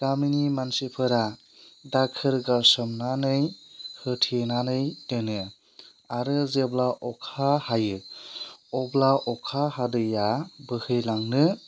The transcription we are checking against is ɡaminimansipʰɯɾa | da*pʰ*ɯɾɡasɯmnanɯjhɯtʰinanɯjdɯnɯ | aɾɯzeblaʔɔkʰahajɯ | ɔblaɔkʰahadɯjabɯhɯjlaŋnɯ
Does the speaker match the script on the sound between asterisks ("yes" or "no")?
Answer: no